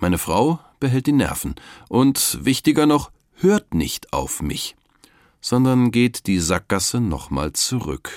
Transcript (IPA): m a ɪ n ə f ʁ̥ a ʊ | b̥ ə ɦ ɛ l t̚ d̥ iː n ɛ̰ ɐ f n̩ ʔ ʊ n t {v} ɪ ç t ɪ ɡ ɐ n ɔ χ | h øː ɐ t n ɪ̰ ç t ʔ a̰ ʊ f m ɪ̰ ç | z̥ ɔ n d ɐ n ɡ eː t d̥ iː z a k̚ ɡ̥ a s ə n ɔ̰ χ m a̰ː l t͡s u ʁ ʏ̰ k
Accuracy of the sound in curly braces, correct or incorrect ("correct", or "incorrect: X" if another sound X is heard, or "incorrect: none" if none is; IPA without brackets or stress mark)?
correct